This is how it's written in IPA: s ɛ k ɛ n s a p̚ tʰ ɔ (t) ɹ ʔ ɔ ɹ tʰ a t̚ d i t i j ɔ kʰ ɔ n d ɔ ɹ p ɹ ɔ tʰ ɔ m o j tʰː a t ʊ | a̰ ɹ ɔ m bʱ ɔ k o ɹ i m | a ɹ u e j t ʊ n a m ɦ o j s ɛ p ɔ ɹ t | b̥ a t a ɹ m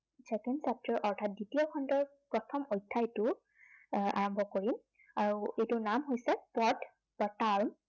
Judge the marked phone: incorrect: none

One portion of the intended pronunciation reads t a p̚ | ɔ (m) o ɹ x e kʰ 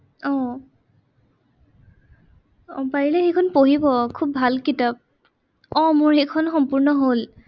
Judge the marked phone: correct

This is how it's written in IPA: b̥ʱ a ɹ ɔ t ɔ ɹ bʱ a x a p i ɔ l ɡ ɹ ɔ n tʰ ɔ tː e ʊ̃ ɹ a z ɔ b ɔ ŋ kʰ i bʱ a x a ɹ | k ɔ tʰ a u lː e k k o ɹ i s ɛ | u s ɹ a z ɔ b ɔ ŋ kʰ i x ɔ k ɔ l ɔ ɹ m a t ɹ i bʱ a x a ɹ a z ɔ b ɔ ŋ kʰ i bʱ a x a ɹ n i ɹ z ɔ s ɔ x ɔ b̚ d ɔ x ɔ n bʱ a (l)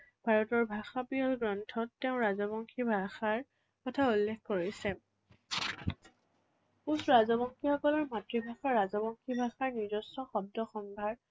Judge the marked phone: incorrect: ɹ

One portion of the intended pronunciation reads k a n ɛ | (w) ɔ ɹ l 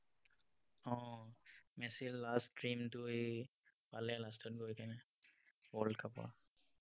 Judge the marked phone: correct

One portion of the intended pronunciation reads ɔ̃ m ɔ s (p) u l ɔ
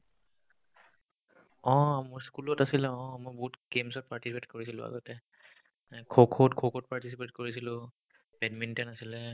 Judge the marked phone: incorrect: k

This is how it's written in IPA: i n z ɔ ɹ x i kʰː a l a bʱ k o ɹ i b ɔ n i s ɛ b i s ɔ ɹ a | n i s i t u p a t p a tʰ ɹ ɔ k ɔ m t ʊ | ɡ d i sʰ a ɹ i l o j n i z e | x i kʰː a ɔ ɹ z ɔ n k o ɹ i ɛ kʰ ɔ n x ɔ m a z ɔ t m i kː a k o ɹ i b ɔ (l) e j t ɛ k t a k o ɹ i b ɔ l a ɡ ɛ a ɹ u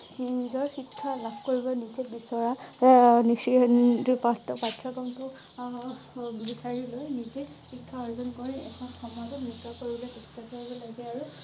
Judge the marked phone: correct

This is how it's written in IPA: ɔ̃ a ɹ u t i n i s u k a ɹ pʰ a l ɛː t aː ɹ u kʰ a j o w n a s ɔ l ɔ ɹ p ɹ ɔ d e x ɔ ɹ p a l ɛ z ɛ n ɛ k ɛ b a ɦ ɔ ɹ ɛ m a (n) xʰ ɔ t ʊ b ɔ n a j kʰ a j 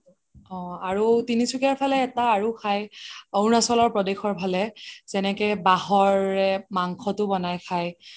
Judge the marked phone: incorrect: ŋ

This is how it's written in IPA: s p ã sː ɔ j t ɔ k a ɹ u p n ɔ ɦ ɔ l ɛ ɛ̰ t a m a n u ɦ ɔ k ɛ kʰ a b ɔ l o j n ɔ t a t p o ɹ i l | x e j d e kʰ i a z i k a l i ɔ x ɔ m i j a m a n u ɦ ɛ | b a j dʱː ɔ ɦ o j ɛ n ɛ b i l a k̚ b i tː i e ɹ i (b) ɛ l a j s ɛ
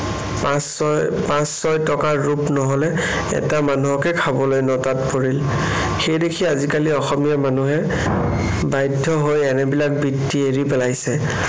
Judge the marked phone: incorrect: p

